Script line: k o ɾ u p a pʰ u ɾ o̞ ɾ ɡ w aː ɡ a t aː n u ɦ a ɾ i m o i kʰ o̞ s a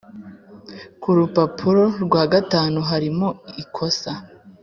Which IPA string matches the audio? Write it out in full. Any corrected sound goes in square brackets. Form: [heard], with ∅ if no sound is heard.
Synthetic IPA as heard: k [u] ɾ u p a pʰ u ɾ o̞ ɾ ɡ w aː ɡ a t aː n u ɦ a ɾ i m o i kʰ o̞ s a